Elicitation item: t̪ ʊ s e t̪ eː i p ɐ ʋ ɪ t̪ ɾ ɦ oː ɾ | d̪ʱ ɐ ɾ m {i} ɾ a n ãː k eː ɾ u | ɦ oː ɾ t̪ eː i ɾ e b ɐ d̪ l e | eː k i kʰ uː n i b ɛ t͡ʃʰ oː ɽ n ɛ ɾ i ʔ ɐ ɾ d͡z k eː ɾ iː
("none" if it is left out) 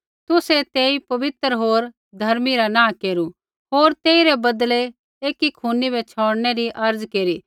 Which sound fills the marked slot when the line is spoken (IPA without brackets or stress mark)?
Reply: i